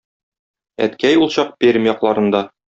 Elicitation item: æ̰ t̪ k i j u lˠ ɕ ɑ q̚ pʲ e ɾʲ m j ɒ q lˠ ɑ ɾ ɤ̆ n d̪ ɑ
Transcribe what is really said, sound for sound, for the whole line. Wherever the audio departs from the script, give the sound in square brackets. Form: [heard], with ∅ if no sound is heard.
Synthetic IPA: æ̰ t̪ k [æ] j u lˠ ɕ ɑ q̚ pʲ e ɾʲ m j ɒ q lˠ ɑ ɾ ɤ̆ n d̪ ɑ